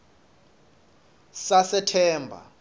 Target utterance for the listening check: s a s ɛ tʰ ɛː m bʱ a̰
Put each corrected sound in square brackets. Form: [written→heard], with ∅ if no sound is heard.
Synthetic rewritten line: s a s ɛ tʰ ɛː m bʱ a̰